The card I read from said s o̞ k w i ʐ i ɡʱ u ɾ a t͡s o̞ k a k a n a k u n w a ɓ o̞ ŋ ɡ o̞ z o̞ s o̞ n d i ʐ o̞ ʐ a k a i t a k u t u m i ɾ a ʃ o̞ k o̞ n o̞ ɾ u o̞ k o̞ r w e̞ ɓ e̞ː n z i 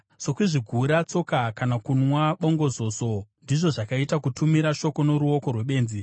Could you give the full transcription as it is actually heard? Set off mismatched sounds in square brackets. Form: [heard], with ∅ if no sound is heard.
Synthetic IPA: s o̞ k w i ʐ i ɡʱ u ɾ a t͡s o̞ k a k a n a k u n w a ɓ o̞ ŋ ɡ o̞ z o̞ s o̞ n d i ʐ o̞ ʐ a k a i t a k u t u m i ɾ a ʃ o̞ k o̞ n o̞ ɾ u o̞ k o̞ r w e̞ ɓ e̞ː n z i